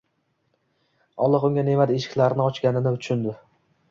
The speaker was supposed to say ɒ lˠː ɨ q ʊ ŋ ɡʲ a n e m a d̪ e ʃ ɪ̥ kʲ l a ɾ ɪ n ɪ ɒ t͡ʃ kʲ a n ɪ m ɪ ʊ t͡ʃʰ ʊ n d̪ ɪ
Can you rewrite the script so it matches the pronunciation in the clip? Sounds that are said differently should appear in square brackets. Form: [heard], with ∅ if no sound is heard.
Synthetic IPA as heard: ɒ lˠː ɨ q ʊ ŋ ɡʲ a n e m a d̪ e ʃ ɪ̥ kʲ l a ɾ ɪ n ɪ ɒ t͡ʃ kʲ a n ɪ [n] ɪ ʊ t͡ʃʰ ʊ n d̪ ɪ